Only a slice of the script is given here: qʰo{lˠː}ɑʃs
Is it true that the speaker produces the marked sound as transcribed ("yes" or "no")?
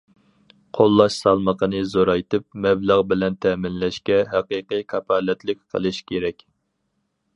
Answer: yes